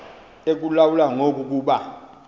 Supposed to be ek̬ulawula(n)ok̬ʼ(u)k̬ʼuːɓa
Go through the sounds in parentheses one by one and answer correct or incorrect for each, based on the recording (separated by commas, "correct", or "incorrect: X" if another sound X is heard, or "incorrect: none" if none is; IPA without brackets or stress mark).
incorrect: ŋ, correct